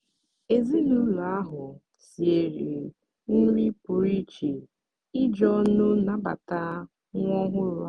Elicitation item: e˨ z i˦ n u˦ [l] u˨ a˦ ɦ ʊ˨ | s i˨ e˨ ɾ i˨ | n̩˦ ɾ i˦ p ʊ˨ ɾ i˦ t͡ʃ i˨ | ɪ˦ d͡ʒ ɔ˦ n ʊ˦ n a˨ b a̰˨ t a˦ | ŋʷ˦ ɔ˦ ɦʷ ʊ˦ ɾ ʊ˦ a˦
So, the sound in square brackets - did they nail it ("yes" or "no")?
yes